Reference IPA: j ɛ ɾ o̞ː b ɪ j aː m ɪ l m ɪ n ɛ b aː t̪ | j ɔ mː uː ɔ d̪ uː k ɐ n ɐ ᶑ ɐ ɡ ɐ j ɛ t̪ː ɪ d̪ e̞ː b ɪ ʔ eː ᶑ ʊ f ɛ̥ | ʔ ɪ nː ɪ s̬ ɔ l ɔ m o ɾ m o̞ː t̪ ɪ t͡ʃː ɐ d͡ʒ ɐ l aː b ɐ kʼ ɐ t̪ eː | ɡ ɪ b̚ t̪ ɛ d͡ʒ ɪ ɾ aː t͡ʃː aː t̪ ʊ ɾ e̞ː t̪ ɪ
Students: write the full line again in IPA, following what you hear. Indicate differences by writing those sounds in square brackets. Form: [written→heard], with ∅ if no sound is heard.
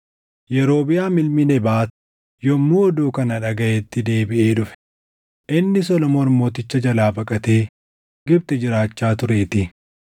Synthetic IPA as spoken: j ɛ ɾ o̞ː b ɪ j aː m ɪ l m ɪ n ɛ b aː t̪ | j ɔ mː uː ɔ d̪ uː k ɐ n ɐ ᶑ ɐ ɡ ɐ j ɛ t̪ː ɪ d̪ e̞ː b ɪ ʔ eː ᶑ ʊ f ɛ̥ | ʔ ɪ nː ɪ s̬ ɔ l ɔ m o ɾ m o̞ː t̪ ɪ t͡ʃː ɐ d͡ʒ ɐ l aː b ɐ kʼ ɐ t̪ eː | ɡ ɪ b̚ t̪ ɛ d͡ʒ ɪ ɾ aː t͡ʃː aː t̪ ʊ ɾ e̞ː t̪ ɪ